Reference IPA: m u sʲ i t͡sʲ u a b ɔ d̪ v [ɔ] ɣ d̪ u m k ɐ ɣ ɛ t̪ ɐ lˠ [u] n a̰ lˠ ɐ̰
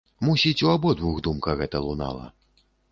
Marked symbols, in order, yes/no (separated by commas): no, yes